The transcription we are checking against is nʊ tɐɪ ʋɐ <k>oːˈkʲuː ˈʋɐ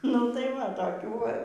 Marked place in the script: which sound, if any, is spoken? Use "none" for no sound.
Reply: t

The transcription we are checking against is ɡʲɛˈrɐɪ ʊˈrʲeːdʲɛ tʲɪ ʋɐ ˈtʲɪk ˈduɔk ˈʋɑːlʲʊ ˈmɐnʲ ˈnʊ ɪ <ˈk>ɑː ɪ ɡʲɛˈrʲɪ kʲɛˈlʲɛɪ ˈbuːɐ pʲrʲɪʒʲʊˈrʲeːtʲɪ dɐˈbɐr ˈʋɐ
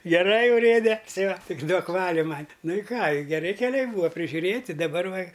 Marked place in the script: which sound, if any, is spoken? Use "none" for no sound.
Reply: k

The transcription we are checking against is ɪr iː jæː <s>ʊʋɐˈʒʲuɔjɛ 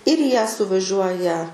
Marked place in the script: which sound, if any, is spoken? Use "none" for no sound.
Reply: s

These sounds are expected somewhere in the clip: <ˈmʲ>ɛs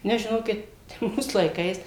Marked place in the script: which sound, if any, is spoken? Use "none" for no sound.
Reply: nʲ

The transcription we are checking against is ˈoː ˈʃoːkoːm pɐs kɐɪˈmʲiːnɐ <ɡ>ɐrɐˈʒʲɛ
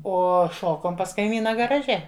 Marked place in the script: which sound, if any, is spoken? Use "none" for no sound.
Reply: ɡ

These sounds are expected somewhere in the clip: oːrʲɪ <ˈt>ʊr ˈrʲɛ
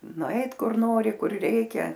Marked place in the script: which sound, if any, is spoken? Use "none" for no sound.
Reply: k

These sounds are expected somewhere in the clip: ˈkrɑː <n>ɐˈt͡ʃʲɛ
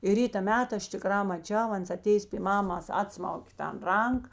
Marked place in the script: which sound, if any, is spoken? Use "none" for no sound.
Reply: m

